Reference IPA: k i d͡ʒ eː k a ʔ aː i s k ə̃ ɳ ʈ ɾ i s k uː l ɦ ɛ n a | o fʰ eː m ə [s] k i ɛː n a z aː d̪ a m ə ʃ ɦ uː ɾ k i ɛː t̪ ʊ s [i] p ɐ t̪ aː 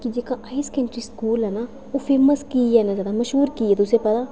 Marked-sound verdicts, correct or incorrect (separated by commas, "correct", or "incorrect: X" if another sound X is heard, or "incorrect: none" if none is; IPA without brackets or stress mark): correct, incorrect: e